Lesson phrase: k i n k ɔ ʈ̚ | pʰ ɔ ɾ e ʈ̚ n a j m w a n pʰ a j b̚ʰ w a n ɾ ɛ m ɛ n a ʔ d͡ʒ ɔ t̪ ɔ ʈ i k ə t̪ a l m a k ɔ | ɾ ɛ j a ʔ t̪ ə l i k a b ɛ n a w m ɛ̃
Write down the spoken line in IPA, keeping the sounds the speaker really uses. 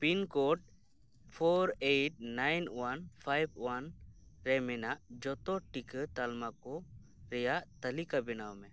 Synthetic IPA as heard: p i n k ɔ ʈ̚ | pʰ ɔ ɾ e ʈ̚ n a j n w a n pʰ a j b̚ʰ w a n ɾ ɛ m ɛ n a ʔ d͡ʒ ɔ t̪ ɔ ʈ i k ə t̪ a l m a k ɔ | ɾ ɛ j a ʔ t̪ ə l i k a b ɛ n a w m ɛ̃